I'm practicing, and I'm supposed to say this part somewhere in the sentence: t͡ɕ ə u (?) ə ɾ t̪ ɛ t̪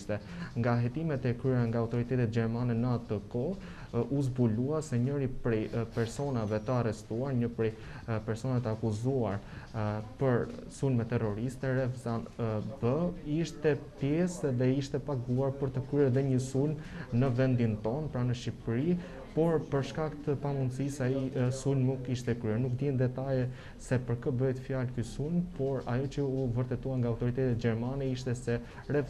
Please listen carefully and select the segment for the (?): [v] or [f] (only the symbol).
v